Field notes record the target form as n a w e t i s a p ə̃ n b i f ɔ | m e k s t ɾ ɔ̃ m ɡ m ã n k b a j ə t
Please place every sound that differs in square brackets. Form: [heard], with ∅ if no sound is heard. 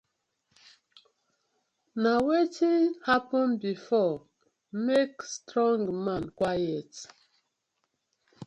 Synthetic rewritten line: n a w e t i [h] a p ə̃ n b i f ɔ | m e k s t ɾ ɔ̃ [ŋ] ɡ m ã n k [w] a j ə t